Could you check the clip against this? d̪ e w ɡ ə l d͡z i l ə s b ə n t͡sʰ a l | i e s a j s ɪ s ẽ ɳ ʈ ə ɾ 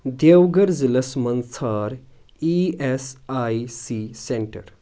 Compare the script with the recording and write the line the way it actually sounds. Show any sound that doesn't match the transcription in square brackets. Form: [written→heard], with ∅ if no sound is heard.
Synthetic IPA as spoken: d̪ e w ɡ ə [l→ɾ] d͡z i l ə s [b→m] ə n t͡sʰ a [l→ɾ] | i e s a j s [ɪ→i] s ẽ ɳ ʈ ə ɾ